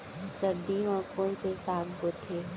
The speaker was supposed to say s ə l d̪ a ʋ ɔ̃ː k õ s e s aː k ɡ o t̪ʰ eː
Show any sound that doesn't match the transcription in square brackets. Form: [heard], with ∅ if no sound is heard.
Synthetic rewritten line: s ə [ɾ] d̪ [i] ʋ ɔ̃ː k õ s e s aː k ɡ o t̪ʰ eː

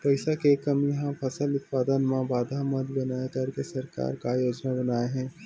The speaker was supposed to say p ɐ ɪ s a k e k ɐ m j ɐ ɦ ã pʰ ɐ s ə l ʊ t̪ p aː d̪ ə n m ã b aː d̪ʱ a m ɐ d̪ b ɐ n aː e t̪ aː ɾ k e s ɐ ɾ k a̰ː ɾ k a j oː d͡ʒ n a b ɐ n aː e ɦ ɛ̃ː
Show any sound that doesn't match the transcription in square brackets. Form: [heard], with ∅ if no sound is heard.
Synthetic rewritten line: p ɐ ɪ s a k e k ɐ m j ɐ ɦ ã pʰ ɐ s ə l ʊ t̪ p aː d̪ ə n m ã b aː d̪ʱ a m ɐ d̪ b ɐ n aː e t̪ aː ɾ k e s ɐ ɾ k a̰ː ɾ k a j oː d͡ʒ n a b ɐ n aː e ɦ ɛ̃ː

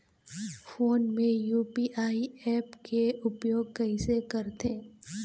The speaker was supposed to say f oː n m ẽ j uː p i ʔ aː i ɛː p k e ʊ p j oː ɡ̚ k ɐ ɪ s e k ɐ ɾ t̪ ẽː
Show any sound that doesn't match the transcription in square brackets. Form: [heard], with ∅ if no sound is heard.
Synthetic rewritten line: f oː n m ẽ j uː p i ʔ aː i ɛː p k e ʊ p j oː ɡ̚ k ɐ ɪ s e k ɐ ɾ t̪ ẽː

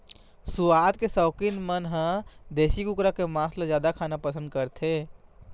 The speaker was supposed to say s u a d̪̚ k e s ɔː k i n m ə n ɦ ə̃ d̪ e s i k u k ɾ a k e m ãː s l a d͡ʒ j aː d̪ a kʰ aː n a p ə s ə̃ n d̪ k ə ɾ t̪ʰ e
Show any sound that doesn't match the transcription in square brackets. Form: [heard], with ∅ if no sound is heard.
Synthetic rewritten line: s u a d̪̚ k e s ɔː k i n m ə n ɦ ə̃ d̪ e s i k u k ɾ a k e m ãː s l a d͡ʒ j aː d̪ a kʰ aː n a p ə s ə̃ n d̪ k ə ɾ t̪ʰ e

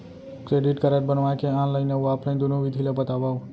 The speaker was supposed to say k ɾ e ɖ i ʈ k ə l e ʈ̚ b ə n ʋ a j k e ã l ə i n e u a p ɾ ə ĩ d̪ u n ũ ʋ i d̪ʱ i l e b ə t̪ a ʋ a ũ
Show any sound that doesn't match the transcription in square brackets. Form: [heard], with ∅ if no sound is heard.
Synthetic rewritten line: k ɾ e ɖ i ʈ k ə [ɾ] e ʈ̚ b ə n ʋ a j k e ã l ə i n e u a p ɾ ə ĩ d̪ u n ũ ʋ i d̪ʱ i l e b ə t̪ a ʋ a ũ

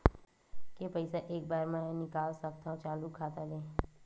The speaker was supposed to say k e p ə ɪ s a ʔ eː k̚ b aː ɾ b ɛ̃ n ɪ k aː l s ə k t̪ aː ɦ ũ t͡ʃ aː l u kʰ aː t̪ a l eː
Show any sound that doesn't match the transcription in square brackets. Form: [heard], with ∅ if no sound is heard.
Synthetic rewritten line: k e p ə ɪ s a ʔ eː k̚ b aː ɾ [m] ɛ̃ n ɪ k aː l s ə k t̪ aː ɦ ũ t͡ʃ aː l u kʰ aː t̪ a l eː

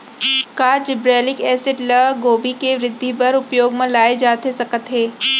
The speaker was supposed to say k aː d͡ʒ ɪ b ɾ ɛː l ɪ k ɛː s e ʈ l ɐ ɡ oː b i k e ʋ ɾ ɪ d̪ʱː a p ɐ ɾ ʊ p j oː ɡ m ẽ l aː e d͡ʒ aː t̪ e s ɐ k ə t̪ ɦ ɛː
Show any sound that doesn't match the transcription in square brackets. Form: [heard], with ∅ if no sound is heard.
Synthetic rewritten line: k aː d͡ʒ ɪ b ɾ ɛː l ɪ k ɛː s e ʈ l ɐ ɡ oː b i k e ʋ ɾ ɪ d̪ʱː [i] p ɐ ɾ ʊ p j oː ɡ m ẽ l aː e d͡ʒ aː t̪ e s ɐ k ə t̪ ɦ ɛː

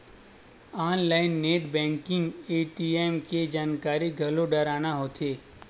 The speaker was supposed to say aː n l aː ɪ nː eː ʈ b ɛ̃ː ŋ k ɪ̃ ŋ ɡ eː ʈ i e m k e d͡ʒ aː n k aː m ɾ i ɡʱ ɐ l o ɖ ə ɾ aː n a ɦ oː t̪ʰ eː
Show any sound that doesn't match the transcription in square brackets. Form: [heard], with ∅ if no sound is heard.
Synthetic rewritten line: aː n l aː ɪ nː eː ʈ b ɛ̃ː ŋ k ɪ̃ ŋ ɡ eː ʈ i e m k e d͡ʒ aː n k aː [∅] ɾ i ɡʱ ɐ l o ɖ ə ɾ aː n a ɦ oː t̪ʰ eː

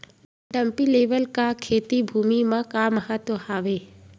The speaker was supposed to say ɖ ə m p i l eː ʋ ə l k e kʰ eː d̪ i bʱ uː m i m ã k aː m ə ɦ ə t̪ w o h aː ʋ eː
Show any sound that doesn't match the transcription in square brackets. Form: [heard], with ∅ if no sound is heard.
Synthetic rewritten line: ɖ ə m p i l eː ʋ ə l k [a] kʰ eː [t̪] i bʱ uː m i m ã k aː m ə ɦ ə t̪ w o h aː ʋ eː

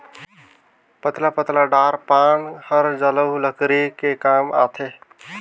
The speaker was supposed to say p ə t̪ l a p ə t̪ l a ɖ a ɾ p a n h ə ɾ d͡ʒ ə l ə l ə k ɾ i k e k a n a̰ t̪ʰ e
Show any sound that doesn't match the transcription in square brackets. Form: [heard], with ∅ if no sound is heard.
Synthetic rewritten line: p ə t̪ l a p ə t̪ l a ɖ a ɾ p a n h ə ɾ d͡ʒ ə l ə l ə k ɾ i k e k a [m] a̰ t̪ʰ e

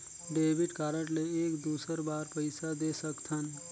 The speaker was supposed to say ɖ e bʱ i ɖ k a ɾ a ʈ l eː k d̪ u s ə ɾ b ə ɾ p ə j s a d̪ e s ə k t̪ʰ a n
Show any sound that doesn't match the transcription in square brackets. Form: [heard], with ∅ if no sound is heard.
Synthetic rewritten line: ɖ e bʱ i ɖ k a ɾ [ə] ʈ l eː k d̪ u s ə ɾ b [a] ɾ p ə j s a d̪ e s ə k t̪ʰ [ə] n

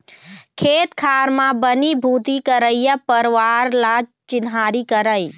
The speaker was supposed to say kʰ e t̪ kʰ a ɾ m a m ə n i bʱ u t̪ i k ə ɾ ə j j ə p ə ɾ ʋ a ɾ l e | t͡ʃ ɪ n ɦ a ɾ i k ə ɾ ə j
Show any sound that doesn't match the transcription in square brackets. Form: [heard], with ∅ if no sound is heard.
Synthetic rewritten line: kʰ e t̪ kʰ a ɾ m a [b] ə n i bʱ u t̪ i k ə ɾ ə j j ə p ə ɾ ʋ a ɾ l [a] | t͡ʃ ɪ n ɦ a ɾ i k ə ɾ ə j

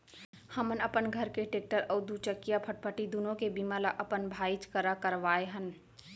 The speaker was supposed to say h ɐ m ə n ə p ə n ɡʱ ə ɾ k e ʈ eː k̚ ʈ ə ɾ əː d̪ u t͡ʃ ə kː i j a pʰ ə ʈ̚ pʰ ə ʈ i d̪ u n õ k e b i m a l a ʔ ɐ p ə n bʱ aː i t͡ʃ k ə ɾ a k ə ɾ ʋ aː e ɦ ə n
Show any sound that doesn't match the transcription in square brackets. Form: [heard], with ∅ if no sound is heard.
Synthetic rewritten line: h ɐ m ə n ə p ə n ɡʱ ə ɾ k e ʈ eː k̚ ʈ ə ɾ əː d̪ u t͡ʃ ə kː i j a pʰ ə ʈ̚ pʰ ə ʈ i d̪ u n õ k e b i m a l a ʔ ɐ p ə n bʱ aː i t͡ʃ k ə ɾ a k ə ɾ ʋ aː e ɦ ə n

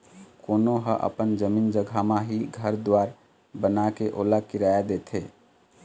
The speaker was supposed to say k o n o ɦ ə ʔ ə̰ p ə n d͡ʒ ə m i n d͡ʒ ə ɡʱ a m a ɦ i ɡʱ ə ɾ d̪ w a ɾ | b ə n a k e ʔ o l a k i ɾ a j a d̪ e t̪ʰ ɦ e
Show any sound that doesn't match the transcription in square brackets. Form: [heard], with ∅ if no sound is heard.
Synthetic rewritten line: k o n o ɦ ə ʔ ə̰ p ə n d͡ʒ ə m i n d͡ʒ ə ɡʱ a m a ɦ i ɡʱ ə ɾ d̪ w a ɾ | b ə n a k e ʔ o l a k i ɾ a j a d̪ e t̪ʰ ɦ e

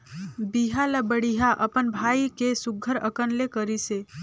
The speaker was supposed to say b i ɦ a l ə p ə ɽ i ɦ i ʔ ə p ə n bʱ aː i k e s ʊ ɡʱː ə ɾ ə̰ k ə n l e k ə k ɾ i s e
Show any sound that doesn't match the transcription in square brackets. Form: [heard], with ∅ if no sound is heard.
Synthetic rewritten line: b i ɦ a l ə [b] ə ɽ i ɦ [a] ʔ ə p ə n bʱ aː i k e s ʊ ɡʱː ə ɾ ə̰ k ə n l e k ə [∅] ɾ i s e

